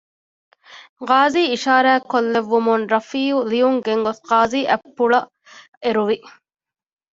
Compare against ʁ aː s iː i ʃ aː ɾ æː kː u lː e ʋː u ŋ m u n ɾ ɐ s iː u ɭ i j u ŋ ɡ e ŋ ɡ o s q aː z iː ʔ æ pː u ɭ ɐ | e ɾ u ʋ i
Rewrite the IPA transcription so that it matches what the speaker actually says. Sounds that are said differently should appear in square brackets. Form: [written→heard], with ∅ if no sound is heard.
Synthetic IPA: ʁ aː [s→z] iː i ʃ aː ɾ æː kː [u→o] lː e ʋː u [ŋ→∅] m u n ɾ ɐ [s→f] iː u [ɭ→l] i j u ŋ ɡ e ŋ ɡ o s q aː z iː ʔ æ pː u ɭ ɐ | e ɾ u ʋ i